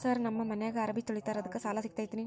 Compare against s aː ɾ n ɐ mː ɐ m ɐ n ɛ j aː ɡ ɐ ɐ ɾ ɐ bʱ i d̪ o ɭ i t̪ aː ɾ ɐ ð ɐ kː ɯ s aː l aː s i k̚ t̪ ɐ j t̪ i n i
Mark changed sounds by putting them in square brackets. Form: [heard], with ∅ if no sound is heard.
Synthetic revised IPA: s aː ɾ n ɐ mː ɐ m ɐ n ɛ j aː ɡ ɐ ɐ ɾ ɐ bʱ i [t̪] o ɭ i t̪ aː ɾ ɐ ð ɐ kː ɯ s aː l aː s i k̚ t̪ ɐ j t̪ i n i